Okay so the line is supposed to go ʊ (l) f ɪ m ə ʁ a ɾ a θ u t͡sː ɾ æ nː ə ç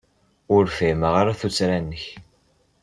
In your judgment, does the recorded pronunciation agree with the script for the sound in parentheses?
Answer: no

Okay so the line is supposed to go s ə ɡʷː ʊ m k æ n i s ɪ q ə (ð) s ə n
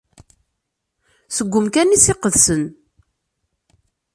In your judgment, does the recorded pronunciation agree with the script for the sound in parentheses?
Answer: yes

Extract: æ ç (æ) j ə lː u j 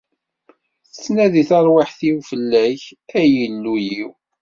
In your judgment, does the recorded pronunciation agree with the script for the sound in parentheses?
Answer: yes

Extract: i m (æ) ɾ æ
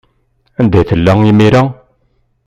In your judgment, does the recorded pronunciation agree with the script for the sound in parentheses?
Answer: no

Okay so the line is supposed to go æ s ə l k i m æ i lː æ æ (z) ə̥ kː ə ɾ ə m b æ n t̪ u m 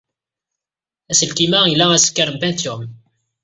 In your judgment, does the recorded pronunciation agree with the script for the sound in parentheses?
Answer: no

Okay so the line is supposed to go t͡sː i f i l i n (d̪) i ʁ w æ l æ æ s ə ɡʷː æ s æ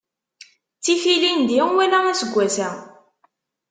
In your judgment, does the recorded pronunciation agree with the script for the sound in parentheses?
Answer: yes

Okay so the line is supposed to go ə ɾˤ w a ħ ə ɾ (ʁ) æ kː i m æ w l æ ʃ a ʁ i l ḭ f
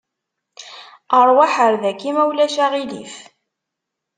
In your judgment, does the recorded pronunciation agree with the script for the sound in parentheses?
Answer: no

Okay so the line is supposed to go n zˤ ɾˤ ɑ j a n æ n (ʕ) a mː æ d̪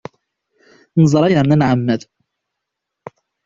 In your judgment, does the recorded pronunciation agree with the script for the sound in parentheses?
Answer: yes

